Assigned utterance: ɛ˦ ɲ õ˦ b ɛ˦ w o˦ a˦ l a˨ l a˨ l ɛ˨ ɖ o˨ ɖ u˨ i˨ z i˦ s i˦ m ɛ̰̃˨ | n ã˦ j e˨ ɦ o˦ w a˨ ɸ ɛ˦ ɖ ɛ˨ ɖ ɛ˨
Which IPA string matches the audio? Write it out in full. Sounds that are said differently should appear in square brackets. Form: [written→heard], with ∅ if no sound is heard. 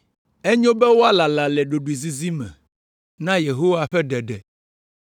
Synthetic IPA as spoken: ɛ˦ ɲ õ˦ b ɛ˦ w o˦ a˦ l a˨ l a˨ l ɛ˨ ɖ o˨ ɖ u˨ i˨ z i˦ [s→z] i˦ m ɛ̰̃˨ | n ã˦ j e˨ ɦ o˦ w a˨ ɸ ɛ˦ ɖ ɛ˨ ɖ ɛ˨

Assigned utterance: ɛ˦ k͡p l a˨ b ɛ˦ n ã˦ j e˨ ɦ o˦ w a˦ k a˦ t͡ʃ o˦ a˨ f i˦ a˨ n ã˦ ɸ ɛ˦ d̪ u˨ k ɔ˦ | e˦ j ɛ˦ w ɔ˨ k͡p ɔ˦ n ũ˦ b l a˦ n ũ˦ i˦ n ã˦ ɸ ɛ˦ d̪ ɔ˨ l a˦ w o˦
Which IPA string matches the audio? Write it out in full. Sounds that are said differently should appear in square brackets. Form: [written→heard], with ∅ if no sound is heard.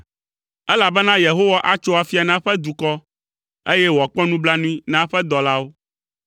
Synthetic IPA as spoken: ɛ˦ [k͡p→∅] l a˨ b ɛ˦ n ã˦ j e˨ ɦ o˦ w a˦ [k→ʔ] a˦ t͡ʃ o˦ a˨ f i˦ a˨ n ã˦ ɸ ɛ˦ d̪ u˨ k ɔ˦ | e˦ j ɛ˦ w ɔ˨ k͡p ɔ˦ n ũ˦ b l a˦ n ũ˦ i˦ n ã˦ ɸ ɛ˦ d̪ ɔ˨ l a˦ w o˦

